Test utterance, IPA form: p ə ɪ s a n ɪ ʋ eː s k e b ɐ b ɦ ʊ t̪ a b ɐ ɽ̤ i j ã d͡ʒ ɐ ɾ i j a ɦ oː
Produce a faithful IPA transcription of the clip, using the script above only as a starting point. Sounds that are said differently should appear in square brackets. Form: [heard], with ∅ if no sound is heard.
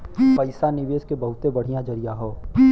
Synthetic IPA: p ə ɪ s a n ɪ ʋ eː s k e b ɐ [∅] ɦ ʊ t̪ [e] b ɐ ɽ̤ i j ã d͡ʒ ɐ ɾ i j a ɦ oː